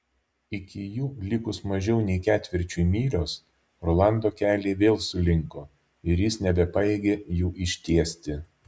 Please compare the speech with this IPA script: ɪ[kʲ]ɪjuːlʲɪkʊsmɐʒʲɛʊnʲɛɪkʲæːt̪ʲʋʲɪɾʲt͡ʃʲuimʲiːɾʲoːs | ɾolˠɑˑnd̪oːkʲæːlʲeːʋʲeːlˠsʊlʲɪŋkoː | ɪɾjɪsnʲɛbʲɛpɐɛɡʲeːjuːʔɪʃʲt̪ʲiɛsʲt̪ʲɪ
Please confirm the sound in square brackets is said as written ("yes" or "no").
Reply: yes